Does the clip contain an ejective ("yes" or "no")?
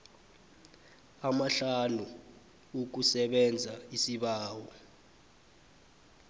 no